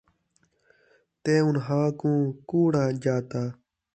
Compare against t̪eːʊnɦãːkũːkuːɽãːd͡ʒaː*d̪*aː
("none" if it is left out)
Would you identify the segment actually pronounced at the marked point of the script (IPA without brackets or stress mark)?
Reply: t̪